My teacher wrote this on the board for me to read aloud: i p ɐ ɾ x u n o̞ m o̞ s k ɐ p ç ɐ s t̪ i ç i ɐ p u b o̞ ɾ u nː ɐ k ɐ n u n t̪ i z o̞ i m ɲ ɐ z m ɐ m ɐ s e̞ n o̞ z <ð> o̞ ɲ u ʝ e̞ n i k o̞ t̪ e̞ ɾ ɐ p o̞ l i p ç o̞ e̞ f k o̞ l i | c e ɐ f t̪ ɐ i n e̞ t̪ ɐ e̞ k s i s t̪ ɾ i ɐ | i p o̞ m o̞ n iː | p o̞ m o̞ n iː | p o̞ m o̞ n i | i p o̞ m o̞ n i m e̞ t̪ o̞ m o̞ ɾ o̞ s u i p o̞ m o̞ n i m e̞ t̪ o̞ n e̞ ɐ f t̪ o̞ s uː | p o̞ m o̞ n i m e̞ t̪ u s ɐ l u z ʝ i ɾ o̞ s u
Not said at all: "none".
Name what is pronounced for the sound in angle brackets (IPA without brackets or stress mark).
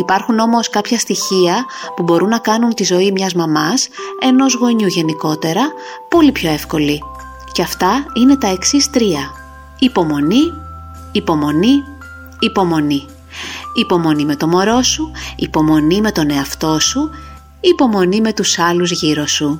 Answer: ɣ